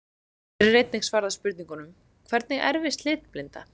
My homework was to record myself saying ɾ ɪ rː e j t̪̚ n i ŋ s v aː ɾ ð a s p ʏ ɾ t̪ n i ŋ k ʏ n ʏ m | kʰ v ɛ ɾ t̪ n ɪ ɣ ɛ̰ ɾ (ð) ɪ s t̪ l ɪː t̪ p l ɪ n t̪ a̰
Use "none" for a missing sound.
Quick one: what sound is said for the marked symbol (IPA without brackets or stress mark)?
v